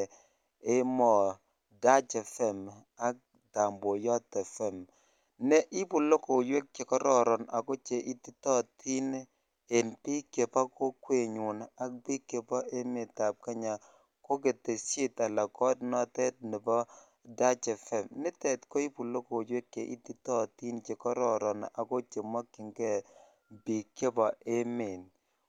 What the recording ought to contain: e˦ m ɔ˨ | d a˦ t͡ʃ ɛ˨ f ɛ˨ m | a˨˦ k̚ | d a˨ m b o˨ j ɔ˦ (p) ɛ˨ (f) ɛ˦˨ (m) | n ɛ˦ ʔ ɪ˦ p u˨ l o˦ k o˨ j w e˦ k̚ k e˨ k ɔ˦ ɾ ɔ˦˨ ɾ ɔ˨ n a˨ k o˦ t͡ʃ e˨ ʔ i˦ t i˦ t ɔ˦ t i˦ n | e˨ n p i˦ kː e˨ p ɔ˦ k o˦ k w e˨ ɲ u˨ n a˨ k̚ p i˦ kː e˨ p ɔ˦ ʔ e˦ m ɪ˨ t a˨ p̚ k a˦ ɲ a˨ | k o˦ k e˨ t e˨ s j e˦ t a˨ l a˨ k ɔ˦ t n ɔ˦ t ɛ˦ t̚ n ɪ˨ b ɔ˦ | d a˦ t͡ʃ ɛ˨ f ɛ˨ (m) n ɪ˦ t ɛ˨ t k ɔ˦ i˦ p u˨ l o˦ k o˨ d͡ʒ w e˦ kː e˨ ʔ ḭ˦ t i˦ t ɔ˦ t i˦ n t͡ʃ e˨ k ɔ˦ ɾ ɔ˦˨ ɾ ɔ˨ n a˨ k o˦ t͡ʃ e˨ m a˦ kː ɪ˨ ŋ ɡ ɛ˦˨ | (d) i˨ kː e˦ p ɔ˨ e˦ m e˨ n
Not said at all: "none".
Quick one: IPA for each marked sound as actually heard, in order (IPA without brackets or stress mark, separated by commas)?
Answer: t, f, m, m, b